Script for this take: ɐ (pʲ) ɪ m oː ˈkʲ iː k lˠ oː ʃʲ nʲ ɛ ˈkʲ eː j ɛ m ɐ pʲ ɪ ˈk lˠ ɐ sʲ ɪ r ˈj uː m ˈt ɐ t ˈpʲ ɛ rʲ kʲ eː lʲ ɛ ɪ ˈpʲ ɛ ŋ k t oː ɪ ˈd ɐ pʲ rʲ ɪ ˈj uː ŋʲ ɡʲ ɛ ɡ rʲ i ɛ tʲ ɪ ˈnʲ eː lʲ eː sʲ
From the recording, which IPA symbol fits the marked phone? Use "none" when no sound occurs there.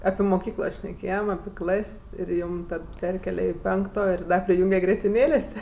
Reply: pʲ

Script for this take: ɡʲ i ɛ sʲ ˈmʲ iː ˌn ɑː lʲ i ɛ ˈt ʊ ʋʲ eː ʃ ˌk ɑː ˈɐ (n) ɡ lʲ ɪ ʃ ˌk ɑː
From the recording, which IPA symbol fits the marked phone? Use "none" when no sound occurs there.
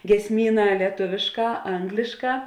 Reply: ŋ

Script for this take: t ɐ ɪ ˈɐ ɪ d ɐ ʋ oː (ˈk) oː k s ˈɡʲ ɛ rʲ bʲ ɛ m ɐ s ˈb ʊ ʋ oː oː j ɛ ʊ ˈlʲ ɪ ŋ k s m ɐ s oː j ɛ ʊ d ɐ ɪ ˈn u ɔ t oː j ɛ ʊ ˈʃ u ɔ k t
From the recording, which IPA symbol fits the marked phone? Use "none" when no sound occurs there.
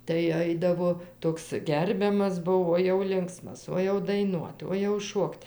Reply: t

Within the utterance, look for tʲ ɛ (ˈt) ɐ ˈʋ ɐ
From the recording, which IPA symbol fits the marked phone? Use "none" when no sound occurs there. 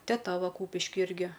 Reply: t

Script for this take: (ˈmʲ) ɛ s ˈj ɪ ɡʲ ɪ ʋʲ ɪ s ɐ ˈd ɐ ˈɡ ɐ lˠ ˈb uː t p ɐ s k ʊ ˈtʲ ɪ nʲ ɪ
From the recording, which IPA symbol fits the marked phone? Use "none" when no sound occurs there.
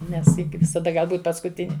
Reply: nʲ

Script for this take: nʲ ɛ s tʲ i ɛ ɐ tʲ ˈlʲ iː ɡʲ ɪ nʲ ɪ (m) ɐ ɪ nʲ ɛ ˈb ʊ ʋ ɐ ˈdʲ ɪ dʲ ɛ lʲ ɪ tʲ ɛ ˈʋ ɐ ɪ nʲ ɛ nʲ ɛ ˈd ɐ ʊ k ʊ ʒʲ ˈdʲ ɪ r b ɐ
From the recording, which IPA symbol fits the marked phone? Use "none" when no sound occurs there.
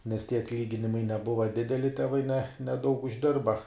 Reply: m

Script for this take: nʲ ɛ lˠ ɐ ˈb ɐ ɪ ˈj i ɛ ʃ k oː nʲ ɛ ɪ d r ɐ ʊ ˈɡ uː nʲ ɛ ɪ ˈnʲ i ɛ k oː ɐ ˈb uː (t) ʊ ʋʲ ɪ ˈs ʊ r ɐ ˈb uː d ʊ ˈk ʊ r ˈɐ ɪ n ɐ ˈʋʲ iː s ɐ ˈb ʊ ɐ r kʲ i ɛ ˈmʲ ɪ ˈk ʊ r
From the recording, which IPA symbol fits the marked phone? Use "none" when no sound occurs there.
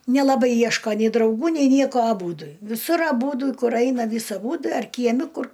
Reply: d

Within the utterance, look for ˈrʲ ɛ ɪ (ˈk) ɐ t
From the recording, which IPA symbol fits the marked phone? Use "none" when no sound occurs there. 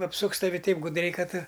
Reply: k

